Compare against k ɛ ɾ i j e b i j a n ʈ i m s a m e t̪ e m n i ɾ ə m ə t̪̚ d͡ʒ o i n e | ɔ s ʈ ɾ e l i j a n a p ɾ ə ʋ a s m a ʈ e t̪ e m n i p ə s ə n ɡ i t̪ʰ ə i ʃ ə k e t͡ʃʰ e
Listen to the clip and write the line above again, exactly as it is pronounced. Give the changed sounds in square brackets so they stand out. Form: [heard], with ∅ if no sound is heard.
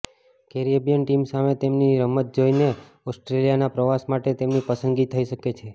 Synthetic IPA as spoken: k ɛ ɾ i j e b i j [ə] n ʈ i m s a m e t̪ e m n i ɾ ə m ə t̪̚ d͡ʒ o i n e | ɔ s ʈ ɾ e l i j a n a p ɾ ə ʋ a s m a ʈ e t̪ e m n i p ə s ə n ɡ i t̪ʰ ə i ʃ ə k e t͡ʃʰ e